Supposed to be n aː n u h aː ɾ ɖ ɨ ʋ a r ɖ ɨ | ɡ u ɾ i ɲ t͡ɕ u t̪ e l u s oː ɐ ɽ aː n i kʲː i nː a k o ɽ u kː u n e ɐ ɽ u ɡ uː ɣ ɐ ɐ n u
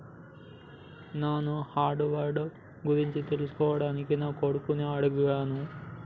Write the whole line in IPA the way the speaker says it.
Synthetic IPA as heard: n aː n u h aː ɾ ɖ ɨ ʋ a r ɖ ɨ | ɡ u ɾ i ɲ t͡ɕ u t̪ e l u s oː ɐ ɽ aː n i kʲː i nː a k o ɽ u kː u n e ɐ ɽ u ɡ u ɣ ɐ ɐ n u